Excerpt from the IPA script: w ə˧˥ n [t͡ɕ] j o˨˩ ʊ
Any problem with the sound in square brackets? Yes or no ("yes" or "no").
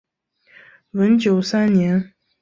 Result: no